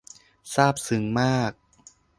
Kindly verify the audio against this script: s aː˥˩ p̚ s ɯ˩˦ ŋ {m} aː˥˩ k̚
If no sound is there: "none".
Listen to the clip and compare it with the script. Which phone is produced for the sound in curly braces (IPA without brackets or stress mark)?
m